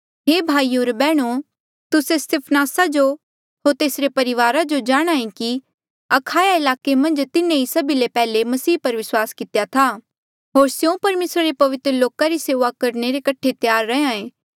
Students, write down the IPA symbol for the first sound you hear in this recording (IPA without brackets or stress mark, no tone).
ɦ